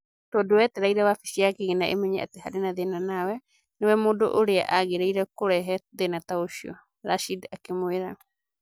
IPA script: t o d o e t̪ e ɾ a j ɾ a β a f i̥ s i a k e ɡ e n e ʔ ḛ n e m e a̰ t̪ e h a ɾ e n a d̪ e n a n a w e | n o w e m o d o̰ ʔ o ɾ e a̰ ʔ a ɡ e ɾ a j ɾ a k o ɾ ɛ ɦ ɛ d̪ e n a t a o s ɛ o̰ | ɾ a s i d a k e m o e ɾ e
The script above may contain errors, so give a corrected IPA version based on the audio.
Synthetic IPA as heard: t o d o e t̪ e ɾ a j ɾ a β a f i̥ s i a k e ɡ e n a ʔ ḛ m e ɲ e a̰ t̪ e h a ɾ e n a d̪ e n a n a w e | n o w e m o d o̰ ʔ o ɾ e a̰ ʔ a ɡ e ɾ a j ɾ a k o ɾ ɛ ɦ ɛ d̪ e n a t a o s i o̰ | ɾ a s i d a k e m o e ɾ a